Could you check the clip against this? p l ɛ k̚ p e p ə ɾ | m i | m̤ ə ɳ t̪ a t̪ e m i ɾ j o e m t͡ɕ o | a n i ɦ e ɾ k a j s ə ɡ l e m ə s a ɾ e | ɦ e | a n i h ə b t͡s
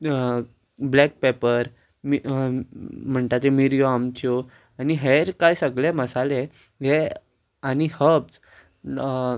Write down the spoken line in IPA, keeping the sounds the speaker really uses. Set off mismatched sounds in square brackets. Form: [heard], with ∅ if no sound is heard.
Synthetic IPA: [b] l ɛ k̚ p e p ə ɾ | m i | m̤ ə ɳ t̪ a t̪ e m i ɾ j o [a] m t͡ɕ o | a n i ɦ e ɾ k a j s ə ɡ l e m ə s a [l] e | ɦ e | a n i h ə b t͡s